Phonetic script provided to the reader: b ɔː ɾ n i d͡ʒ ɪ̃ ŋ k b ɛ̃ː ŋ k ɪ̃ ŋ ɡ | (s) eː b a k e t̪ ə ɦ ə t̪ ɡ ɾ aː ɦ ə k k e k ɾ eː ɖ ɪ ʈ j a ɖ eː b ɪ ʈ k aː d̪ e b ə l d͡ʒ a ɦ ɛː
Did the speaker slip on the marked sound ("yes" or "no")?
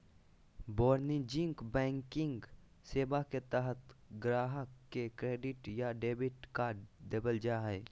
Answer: no